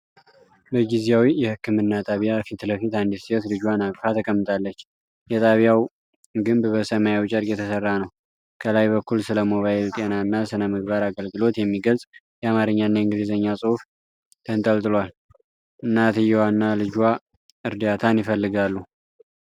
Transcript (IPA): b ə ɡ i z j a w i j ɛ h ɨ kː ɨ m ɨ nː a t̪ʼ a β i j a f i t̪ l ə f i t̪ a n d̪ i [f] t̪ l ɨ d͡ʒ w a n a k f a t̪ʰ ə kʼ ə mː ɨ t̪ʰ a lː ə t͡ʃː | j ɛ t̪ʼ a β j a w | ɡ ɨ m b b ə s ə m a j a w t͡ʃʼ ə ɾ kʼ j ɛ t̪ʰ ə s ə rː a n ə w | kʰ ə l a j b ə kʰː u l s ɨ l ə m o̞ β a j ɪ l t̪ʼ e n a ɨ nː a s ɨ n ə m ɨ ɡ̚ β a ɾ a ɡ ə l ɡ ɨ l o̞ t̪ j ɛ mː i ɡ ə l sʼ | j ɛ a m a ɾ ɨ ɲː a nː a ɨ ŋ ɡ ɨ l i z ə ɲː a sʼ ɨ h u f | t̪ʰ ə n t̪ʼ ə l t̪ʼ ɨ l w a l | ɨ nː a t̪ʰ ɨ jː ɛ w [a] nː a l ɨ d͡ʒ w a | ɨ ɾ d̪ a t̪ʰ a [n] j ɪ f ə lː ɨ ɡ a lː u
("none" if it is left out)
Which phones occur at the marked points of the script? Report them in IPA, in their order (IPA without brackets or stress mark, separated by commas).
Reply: s, a, n